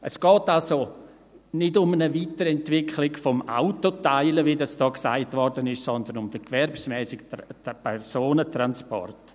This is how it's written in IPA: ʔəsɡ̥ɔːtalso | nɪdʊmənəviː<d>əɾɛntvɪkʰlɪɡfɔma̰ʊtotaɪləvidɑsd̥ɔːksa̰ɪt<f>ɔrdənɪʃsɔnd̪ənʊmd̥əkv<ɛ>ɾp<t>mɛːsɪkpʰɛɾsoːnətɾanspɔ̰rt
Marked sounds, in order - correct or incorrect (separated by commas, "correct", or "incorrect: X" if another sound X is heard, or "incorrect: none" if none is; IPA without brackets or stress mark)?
incorrect: t, incorrect: v, correct, incorrect: s